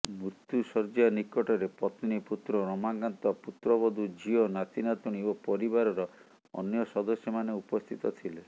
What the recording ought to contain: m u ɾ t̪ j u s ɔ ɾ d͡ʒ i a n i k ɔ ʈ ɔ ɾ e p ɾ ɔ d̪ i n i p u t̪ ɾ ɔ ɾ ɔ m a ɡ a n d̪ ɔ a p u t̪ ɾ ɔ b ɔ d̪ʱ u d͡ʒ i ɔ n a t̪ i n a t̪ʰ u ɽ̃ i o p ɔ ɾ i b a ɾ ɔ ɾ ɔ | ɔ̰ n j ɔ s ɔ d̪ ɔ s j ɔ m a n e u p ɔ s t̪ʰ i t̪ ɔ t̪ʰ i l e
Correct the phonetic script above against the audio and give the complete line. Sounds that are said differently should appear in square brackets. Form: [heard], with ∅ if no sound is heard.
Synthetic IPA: m u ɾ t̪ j u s ɔ ɾ d͡ʒ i a n i k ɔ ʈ ɔ ɾ e p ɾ ɔ [t̪] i n i p u t̪ ɾ ɔ ɾ ɔ m a ɡ a n [t̪] ɔ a p u t̪ ɾ ɔ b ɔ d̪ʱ u d͡ʒ i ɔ n a t̪ i n a [t̪] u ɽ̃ i o p ɔ ɾ i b a ɾ ɔ ɾ ɔ | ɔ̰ n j ɔ s ɔ d̪ ɔ s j ɔ m a n e u p ɔ s t̪ʰ i t̪ ɔ t̪ʰ i l e